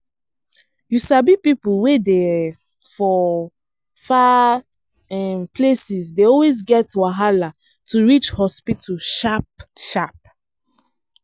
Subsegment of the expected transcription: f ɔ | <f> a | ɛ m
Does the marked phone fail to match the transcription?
no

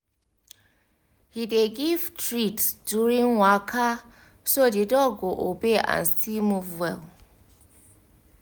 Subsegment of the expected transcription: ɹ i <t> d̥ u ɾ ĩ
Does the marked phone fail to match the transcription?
no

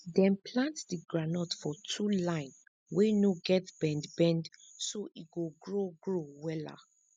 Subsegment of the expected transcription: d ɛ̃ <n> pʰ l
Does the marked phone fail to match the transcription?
no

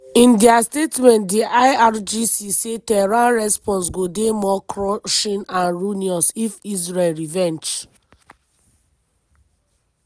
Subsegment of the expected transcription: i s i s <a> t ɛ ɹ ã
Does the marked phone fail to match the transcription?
yes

